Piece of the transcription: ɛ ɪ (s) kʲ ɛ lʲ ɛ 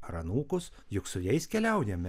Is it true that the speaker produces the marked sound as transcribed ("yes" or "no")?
yes